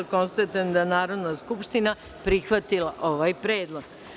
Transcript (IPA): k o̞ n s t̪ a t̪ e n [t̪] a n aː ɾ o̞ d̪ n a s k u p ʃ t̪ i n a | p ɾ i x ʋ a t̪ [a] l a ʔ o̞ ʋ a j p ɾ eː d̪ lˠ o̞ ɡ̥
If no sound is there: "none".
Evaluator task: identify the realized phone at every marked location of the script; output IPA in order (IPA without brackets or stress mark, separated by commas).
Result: d̪, i